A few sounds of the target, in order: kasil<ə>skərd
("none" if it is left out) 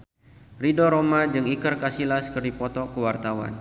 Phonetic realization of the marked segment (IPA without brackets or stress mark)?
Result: a